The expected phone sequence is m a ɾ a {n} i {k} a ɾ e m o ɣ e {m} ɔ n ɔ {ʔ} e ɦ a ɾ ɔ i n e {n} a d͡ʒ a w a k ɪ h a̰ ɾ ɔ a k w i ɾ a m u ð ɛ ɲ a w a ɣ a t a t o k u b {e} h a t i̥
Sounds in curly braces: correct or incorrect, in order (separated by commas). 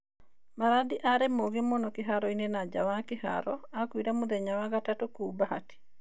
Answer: incorrect, incorrect, correct, incorrect, correct, incorrect